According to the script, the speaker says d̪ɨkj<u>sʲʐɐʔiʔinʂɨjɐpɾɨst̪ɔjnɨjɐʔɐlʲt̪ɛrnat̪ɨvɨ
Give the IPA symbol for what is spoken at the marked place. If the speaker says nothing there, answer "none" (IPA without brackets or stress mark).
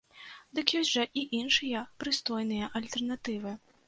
ɔ